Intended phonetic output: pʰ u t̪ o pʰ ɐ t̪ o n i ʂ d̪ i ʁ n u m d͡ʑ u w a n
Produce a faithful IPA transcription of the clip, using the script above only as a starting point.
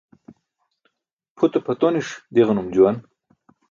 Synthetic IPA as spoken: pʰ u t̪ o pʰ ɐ t̪ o n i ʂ d̪ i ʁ n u m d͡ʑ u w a n